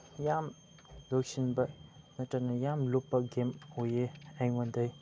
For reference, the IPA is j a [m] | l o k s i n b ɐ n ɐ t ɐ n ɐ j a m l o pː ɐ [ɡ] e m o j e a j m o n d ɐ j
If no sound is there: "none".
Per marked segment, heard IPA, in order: m, ɡ

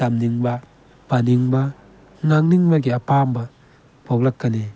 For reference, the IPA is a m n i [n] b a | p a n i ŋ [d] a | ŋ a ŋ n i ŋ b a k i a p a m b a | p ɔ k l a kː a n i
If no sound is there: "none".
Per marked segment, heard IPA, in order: ŋ, b

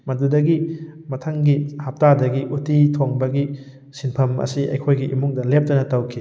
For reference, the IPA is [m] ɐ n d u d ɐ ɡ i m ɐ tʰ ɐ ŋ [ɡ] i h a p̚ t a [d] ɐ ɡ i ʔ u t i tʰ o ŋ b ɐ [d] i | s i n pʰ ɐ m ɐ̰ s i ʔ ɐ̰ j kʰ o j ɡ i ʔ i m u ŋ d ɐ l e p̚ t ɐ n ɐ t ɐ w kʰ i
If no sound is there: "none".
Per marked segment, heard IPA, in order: m, ɡ, d, ɡ

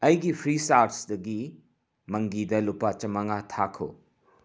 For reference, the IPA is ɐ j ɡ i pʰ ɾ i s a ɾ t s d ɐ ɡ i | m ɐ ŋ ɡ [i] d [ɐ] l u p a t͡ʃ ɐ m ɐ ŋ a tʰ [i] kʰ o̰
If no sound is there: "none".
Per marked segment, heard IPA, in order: i, ɐ, a

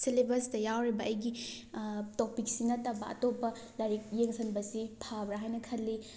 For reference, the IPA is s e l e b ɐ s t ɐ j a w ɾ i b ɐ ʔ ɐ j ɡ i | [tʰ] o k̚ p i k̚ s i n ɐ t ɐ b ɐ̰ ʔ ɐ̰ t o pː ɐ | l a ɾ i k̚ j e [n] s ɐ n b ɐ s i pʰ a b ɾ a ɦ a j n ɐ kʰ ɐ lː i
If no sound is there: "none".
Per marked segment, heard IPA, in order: t, ŋ

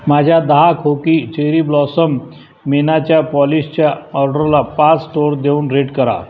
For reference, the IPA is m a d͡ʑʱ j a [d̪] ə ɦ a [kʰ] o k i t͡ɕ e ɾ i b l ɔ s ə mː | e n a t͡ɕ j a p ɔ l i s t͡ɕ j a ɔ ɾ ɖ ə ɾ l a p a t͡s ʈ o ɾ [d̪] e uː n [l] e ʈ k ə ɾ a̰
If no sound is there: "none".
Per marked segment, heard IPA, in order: d̪, kʰ, d̪, ɾ

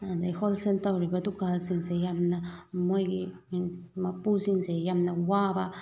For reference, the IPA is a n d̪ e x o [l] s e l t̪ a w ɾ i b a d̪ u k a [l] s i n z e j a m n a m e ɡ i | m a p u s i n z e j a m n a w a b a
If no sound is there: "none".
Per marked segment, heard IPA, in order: l, l

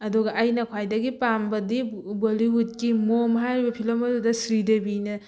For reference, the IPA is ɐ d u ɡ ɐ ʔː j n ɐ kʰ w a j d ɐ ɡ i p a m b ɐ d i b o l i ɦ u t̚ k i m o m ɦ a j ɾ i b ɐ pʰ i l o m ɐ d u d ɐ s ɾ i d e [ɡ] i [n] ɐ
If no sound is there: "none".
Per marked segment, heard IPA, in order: b, n

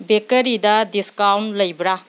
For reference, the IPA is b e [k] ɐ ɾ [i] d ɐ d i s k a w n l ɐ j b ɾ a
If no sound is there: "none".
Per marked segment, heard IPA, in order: k, i

